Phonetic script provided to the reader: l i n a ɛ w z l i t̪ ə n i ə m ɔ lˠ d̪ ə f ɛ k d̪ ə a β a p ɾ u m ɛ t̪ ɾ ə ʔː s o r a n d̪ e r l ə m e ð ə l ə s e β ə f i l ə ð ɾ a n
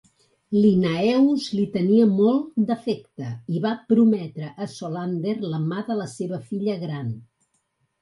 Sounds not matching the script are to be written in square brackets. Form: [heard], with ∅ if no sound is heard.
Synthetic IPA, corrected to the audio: l i n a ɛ w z l i t̪ ə n i ə m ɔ lˠ d̪ ə f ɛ k [t̪] ə [i] β a p ɾ u m ɛ t̪ ɾ ə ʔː s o [l] a n d̪ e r l ə m [a] ð ə l ə s e β ə f i [ʎ] ə [ɣ] ɾ a n